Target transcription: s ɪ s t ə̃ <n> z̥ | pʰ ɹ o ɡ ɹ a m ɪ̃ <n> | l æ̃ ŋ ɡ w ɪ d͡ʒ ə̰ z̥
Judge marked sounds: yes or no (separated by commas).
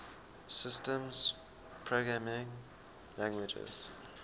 no, no